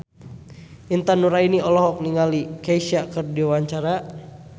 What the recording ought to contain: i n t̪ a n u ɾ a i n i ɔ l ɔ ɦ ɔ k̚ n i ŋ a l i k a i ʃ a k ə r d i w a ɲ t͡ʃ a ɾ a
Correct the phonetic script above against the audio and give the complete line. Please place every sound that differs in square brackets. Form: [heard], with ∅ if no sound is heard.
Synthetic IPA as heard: i n t̪ a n u ɾ a i n i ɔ l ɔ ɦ ɔ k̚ n i ŋ a l i k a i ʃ a k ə r d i w a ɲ t͡ʃ a ɾ a